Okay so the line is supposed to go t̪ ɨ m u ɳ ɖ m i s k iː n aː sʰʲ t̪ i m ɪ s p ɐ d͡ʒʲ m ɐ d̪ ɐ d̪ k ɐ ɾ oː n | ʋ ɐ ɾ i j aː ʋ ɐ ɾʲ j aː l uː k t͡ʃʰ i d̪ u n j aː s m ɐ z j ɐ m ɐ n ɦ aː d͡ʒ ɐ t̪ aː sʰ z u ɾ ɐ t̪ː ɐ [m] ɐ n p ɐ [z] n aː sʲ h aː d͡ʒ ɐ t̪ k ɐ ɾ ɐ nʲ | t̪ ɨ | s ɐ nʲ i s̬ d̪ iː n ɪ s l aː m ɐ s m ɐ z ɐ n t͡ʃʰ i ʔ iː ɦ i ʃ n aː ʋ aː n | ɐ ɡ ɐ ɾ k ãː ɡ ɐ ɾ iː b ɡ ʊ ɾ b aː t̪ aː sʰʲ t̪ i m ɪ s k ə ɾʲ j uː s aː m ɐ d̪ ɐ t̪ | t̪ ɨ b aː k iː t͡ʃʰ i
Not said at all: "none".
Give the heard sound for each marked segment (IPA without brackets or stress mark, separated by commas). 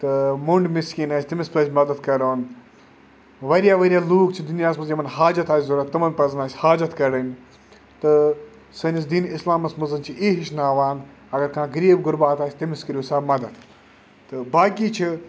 m, z